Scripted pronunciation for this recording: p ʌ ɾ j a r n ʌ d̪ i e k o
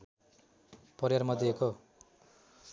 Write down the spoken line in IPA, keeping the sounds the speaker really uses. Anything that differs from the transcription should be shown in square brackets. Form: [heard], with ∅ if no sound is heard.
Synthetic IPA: p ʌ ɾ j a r [m] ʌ d̪ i e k o